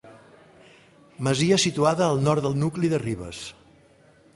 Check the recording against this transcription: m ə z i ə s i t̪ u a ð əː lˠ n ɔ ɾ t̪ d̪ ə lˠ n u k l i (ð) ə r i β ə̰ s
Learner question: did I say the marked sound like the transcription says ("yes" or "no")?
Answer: yes